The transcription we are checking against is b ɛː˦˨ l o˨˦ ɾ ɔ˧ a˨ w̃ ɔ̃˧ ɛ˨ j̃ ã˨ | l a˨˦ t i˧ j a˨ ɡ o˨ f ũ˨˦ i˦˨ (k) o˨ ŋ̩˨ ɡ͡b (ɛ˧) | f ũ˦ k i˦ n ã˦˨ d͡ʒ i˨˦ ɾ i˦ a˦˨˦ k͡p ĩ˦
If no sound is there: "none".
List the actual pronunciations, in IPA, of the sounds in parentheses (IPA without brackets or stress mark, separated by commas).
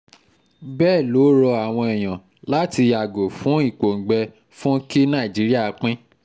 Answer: k͡p, ɛ˧